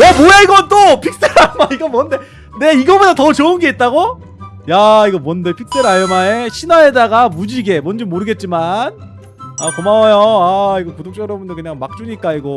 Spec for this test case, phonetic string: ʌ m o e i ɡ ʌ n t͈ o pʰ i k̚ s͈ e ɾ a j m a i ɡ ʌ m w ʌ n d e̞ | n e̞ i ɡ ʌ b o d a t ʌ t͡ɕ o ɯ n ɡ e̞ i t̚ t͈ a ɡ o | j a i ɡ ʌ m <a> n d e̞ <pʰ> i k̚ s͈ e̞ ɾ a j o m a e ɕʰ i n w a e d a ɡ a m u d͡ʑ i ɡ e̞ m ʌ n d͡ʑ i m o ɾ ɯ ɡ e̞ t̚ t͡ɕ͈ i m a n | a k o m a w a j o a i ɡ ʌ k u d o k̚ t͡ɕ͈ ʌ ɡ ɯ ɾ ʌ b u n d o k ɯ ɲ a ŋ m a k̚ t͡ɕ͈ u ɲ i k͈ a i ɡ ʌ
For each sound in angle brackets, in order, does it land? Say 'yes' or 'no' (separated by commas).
no, yes